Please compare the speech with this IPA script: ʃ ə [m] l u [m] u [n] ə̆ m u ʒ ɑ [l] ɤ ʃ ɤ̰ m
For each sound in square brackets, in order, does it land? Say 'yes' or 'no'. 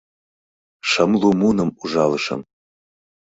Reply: yes, yes, yes, yes

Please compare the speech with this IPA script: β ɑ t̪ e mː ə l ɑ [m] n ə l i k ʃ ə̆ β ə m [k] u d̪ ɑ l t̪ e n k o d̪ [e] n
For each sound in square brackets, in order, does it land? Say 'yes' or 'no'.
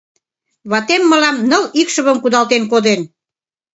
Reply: yes, yes, yes

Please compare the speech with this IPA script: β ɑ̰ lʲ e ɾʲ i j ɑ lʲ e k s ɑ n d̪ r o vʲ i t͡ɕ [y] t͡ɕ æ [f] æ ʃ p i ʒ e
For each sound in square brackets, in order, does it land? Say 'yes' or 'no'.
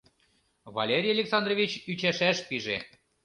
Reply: yes, no

